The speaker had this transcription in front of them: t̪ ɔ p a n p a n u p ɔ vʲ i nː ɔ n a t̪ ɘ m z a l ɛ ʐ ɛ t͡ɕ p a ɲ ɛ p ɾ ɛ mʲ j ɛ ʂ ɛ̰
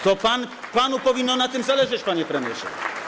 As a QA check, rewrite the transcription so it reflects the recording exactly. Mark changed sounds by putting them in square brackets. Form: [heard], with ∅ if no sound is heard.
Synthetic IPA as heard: t̪ ɔ p a n p a n u p ɔ vʲ i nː ɔ n a t̪ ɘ m z a l ɛ ʐ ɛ t͡ɕ p a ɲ ɛ p ɾ ɛ mʲ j ɛ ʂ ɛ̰